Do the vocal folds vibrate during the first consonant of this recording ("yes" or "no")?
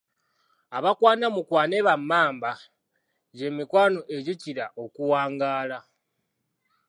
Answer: yes